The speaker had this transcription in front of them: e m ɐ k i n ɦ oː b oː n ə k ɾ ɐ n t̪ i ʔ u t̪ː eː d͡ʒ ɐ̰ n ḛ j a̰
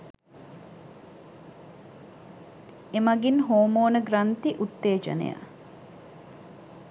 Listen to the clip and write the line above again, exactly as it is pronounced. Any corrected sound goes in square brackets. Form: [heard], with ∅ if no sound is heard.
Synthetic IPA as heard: e m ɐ [ɡ] i n ɦ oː [m] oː n ə [ɡ] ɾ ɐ n t̪ i ʔ u t̪ː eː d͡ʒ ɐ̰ n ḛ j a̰